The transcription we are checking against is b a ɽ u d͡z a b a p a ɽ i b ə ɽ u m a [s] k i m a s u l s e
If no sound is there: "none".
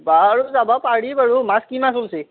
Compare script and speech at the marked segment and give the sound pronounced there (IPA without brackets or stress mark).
s